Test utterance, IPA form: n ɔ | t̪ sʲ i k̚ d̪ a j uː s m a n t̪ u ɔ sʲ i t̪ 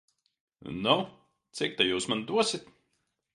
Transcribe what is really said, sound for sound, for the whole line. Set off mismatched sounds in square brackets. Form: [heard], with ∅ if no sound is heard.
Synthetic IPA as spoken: n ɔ | t̪ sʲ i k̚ [t̪] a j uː s m a n [d̪] u ɔ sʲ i t̪